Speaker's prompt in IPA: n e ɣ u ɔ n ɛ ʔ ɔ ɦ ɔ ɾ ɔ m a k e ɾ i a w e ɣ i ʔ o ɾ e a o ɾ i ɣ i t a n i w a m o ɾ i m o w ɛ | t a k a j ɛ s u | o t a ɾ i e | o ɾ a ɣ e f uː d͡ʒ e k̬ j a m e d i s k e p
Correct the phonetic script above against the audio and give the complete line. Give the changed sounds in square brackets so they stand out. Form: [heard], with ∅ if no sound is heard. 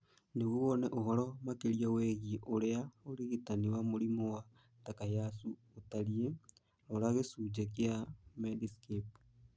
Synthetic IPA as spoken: n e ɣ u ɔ n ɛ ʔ [o] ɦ ɔ ɾ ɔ m a k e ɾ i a w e ɣ i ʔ o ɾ e a o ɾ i ɣ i t a n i w a m o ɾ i m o w [a] | t a k a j [a] s u | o t a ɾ i e | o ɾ a ɣ e [s] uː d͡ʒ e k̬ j a m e d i s k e p